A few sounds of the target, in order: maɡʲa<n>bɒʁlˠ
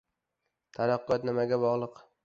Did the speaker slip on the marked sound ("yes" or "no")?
yes